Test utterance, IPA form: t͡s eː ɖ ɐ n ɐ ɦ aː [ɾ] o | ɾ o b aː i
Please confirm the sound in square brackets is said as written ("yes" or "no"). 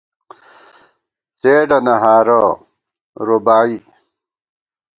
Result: yes